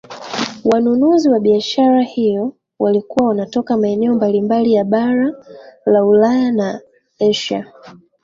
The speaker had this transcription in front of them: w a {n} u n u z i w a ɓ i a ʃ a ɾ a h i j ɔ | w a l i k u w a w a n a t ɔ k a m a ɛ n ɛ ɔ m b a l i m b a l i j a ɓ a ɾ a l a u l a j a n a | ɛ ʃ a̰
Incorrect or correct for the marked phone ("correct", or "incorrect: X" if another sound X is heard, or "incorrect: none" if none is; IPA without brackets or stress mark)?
correct